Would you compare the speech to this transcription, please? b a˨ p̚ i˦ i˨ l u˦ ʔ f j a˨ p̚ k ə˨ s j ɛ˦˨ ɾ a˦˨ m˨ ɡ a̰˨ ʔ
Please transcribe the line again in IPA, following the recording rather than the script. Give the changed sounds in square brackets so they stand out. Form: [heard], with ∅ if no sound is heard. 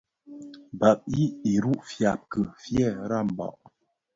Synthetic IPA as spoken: b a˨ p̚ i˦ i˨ [ɾ] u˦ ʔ f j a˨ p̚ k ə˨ [f] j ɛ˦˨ ɾ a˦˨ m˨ [b] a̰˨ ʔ